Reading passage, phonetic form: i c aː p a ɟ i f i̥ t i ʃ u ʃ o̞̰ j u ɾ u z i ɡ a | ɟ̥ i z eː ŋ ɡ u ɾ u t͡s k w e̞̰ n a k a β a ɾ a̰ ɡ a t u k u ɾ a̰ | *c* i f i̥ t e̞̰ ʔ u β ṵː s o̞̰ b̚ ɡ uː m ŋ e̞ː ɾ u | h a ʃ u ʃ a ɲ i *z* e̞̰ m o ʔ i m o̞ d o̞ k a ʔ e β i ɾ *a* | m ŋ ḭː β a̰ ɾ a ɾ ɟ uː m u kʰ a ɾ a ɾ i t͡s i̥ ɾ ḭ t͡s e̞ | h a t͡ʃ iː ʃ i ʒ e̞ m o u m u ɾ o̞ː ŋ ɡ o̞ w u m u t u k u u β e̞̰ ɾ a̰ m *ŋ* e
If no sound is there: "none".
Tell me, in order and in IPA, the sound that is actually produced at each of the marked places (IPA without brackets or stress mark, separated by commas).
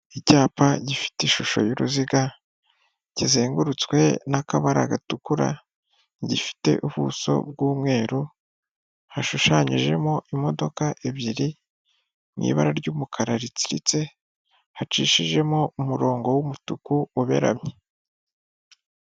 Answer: ɟ, ʒ, i, ɲ